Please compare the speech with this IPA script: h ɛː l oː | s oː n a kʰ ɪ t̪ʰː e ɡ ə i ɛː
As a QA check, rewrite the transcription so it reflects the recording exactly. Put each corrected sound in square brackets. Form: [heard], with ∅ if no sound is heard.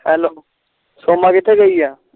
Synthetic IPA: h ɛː l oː | s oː [m] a [k] ɪ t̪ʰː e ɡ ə i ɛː